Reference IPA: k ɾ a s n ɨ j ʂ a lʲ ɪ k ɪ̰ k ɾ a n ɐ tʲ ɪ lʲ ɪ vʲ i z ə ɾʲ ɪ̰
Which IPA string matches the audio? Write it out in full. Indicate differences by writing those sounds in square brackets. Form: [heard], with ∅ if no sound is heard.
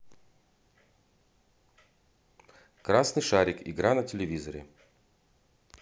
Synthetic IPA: k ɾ a s n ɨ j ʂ a [ɾʲ] ɪ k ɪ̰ [ɡ] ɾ a n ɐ tʲ ɪ lʲ ɪ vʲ i z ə ɾʲ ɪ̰